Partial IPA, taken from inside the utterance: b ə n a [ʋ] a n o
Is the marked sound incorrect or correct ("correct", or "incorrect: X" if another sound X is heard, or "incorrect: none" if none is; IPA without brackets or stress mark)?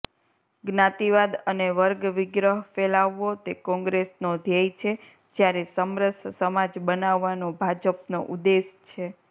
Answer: incorrect: ʋː